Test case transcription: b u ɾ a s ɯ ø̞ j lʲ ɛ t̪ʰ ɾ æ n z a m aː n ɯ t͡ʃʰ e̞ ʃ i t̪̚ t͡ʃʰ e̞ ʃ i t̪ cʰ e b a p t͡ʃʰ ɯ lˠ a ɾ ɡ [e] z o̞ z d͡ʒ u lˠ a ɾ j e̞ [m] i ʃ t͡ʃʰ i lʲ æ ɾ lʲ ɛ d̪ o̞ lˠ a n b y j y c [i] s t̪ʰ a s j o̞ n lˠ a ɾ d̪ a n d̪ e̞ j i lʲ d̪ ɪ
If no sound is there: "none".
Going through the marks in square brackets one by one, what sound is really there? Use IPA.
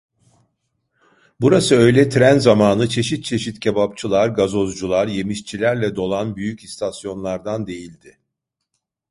a, m, i

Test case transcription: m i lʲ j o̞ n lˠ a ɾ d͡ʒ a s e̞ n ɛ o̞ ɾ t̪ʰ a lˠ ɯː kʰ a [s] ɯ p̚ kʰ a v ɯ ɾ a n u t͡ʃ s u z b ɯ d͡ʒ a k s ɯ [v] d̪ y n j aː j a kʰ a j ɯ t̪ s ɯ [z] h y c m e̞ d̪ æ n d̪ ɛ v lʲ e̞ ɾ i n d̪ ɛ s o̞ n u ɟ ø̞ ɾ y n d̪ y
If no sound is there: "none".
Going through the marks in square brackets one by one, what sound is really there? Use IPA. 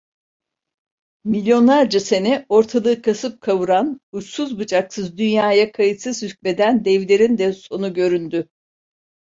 s, z, z

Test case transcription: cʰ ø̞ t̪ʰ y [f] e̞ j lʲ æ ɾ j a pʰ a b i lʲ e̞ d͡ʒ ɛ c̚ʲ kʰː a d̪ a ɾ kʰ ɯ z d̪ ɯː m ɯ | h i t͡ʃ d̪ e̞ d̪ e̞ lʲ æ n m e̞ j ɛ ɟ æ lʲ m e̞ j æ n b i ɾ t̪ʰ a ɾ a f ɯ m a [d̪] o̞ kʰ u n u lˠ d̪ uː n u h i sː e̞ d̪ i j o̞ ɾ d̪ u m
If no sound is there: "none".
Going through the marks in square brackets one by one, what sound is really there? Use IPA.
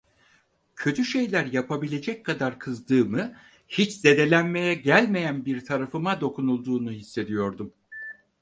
ʃ, d̪

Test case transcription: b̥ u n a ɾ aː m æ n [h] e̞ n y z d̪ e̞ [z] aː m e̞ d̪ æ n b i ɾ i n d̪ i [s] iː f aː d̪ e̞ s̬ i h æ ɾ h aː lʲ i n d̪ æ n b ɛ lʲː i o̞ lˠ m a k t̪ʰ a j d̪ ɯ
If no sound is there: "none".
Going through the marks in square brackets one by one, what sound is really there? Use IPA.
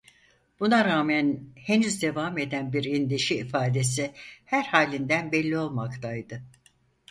h, v, ʃ

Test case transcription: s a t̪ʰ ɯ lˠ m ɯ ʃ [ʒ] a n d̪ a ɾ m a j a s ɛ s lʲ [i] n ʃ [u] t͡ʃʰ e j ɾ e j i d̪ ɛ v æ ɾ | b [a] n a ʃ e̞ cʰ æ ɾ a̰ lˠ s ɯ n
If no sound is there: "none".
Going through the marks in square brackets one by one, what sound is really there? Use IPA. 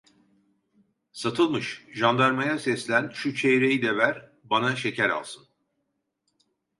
ʒ, æ, u, a

